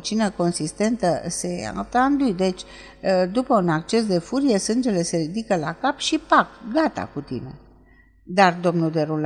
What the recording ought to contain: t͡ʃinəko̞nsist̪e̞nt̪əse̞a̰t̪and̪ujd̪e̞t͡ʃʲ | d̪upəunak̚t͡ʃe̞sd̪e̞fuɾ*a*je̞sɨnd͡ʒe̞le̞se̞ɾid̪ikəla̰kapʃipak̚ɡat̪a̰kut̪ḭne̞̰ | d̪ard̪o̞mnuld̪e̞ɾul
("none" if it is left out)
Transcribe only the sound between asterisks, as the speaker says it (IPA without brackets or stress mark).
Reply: i